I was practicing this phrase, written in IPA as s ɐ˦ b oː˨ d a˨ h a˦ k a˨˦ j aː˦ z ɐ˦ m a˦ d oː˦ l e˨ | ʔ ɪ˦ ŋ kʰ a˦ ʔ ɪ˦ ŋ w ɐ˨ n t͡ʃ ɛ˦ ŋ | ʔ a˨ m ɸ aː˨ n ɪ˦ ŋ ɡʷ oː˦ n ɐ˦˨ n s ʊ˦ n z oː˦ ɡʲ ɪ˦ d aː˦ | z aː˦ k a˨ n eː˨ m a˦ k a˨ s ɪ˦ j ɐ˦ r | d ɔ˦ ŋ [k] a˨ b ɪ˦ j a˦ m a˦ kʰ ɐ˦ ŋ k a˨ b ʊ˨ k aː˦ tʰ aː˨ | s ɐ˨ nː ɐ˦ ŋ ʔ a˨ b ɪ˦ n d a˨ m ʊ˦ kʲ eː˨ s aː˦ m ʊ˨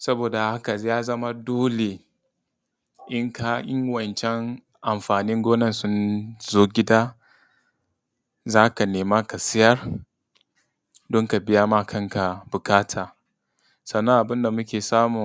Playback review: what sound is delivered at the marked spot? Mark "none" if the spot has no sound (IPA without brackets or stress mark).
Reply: k